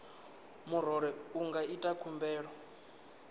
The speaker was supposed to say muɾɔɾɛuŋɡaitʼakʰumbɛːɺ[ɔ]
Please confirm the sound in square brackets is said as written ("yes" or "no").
yes